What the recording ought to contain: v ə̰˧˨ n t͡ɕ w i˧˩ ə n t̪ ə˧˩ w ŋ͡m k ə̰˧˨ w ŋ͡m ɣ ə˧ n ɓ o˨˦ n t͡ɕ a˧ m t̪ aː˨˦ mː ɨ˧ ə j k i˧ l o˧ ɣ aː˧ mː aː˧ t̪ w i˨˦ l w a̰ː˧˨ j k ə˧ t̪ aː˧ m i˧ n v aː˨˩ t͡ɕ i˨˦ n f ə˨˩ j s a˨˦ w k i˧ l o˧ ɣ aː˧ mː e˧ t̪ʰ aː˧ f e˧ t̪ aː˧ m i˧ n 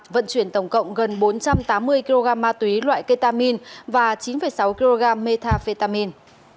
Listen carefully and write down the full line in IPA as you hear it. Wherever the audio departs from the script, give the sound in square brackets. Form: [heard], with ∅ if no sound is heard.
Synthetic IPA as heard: v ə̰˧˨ n t͡ɕ w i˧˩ ə n t̪ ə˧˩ w ŋ͡m k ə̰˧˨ w ŋ͡m ɣ [ə˨˩] n ɓ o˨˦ n t͡ɕ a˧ m t̪ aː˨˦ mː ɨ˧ ə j k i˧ l o˧ ɣ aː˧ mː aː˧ t̪ w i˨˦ l w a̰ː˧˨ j k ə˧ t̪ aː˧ m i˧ n v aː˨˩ t͡ɕ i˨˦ n f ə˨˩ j s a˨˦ w k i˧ l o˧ ɣ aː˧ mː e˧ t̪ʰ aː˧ f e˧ t̪ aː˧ m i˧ n